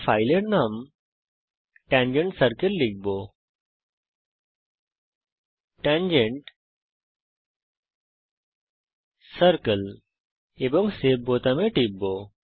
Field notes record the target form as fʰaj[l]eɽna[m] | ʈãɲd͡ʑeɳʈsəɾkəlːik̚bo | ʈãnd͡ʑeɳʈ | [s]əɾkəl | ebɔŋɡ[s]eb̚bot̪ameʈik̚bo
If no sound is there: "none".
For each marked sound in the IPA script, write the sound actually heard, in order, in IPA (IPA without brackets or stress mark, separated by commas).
l, m, s, s